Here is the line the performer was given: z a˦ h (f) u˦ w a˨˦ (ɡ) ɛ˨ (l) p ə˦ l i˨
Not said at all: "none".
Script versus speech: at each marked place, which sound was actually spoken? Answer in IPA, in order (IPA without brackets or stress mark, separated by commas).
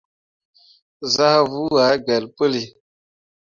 v, ɡ, l